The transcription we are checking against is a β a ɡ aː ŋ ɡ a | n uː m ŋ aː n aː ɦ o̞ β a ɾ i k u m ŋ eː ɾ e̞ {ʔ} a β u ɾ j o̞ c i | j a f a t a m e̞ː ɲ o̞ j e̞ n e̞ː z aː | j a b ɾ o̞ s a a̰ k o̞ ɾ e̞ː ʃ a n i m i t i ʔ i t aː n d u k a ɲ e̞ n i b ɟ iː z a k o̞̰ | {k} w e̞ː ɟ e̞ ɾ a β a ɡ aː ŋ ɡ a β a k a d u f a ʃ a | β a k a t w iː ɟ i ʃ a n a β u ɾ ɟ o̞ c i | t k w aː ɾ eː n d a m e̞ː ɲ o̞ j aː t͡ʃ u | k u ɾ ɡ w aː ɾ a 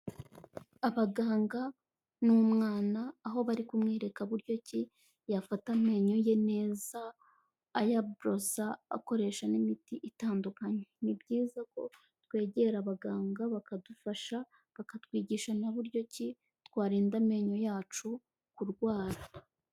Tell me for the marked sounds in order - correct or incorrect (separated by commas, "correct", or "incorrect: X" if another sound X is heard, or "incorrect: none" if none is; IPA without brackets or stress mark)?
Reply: incorrect: k, incorrect: t